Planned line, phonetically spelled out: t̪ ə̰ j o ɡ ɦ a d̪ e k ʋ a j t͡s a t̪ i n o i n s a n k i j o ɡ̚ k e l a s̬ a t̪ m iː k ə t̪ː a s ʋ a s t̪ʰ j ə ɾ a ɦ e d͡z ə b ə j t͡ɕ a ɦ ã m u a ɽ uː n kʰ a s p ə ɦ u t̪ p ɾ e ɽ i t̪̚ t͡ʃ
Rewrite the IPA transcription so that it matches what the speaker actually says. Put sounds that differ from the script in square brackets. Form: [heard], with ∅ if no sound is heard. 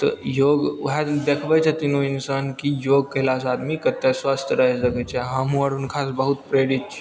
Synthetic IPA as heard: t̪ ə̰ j o ɡ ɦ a d̪ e [kʰ] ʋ a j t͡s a t̪ i n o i n s a n k i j o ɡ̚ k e l a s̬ a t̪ m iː k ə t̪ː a s ʋ a s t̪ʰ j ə ɾ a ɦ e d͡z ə [ɡ] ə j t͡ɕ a ɦ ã m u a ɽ uː n kʰ a s [b] ə ɦ u t̪ p ɾ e ɽ i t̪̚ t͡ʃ

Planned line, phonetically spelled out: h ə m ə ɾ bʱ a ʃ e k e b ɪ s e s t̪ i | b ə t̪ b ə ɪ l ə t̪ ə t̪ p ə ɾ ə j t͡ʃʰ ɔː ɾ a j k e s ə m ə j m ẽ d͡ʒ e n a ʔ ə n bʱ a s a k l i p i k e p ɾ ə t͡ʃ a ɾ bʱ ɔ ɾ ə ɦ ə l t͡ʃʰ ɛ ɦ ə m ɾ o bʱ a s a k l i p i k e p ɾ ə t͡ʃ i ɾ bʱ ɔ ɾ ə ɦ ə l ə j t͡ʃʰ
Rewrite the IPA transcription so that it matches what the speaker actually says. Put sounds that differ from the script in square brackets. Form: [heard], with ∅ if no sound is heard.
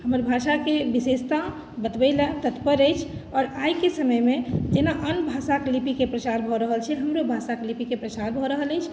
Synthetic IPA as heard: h ə m ə ɾ bʱ a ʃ [a] k e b [i] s e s t̪ [a] | b ə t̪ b ə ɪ l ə t̪ ə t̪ p ə ɾ ə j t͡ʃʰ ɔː ɾ a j k e s ə m ə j m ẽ d͡ʒ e n a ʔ ə n bʱ a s a k l i p i k e p ɾ ə t͡ʃ a ɾ bʱ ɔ ɾ ə ɦ ə l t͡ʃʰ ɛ ɦ ə m ɾ o bʱ a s a k l i p i k e p ɾ ə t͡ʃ [a] ɾ bʱ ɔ ɾ ə ɦ ə l ə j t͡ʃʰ

